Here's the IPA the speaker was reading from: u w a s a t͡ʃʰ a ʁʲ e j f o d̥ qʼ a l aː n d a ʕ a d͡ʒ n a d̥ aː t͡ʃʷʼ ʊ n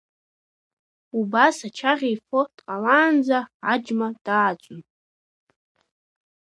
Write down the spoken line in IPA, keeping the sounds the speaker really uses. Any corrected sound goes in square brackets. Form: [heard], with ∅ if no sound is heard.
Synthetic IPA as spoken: u [b] a s a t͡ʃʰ a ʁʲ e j f o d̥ qʼ a l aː n [d͡z] a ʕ a d͡ʒ [m] a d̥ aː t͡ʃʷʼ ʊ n